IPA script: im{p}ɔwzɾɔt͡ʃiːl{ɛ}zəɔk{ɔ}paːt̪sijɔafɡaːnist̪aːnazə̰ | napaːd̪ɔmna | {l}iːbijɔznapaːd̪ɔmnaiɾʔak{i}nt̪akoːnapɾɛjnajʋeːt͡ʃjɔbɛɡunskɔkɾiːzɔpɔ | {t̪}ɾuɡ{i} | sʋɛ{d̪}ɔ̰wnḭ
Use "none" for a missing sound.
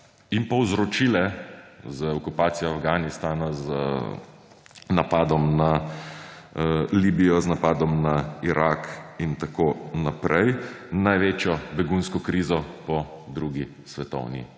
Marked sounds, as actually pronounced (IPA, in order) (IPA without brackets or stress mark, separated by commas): p, ɛ, u, l, i, d̪, i, t̪